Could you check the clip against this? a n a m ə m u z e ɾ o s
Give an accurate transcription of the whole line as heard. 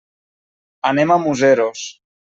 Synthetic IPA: a n e m a m u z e ɾ o s